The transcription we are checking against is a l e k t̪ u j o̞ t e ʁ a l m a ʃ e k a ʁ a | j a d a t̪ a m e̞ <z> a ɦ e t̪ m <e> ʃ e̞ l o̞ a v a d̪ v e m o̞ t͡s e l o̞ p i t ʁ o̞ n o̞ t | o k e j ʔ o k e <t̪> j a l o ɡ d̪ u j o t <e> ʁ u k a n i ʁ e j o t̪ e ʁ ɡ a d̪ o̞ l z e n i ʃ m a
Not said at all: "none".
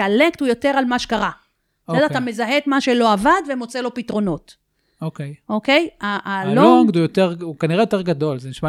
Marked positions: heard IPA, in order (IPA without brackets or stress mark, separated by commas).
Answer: z, a, none, e